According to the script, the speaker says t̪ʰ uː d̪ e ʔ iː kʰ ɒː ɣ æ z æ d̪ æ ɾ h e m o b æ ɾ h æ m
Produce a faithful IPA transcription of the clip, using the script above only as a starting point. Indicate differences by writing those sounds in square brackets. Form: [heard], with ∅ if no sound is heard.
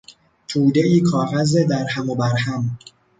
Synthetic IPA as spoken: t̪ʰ uː d̪ e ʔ iː kʰ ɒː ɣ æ z [e] d̪ æ ɾ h [æ] m o b æ ɾ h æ m